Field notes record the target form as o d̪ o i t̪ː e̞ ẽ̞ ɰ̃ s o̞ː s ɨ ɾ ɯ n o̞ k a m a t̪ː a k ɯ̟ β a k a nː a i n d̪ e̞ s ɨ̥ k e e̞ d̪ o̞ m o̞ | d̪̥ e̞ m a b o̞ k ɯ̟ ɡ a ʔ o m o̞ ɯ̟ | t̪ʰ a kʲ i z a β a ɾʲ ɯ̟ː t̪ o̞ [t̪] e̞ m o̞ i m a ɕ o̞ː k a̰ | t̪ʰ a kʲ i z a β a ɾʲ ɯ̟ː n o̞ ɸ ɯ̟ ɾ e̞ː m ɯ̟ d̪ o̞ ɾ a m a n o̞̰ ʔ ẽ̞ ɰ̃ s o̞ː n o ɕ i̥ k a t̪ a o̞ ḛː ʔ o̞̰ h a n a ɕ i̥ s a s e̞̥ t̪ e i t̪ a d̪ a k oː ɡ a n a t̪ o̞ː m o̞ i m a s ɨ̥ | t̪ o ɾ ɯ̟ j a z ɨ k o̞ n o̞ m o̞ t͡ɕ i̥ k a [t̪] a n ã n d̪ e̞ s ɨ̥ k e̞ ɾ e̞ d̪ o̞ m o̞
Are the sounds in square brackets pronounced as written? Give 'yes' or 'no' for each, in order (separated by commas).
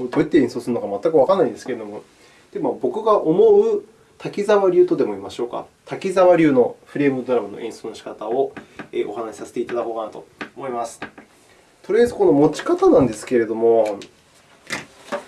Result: no, yes